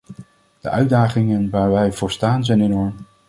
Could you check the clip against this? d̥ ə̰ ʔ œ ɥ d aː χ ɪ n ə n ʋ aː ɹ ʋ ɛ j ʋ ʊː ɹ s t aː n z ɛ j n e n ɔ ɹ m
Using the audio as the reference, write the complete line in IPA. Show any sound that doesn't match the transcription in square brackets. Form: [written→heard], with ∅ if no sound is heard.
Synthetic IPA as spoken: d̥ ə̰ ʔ œ ɥ d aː χ ɪ [n→ŋ] ə n ʋ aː ɹ ʋ ɛ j [ʋ→v] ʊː ɹ s t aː n z ɛ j n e n ɔ ɹ m